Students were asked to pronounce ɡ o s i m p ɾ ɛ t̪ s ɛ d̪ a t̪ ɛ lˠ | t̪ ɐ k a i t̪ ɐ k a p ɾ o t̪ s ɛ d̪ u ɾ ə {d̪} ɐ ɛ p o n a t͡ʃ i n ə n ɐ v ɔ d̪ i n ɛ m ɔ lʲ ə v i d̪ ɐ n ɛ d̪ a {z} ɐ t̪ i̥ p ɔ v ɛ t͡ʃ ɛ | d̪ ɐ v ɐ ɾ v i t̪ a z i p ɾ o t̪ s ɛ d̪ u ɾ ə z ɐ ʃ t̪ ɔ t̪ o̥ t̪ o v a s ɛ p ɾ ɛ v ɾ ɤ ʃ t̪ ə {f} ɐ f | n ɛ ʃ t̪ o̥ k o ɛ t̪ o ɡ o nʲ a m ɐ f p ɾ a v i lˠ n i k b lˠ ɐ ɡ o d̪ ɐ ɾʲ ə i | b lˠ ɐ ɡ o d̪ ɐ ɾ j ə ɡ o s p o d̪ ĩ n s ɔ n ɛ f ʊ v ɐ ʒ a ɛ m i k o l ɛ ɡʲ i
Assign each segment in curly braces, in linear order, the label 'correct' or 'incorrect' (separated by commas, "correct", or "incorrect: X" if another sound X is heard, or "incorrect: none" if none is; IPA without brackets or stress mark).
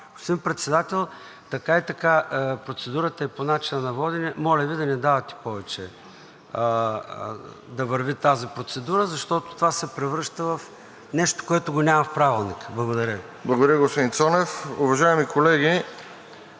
incorrect: t̪, incorrect: v, incorrect: v